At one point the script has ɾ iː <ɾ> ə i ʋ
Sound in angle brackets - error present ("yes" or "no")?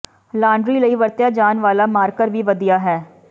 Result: yes